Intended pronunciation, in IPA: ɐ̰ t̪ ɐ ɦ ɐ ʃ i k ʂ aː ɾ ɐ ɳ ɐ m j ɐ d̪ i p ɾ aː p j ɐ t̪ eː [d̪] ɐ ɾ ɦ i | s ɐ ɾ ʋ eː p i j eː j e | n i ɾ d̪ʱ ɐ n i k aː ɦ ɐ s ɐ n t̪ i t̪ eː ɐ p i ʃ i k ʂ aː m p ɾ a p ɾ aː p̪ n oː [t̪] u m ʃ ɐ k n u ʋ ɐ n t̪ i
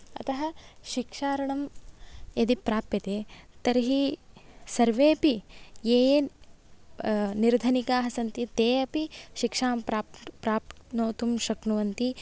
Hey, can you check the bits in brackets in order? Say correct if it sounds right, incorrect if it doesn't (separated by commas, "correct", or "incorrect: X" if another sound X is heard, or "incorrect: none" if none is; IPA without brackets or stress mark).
incorrect: t̪, correct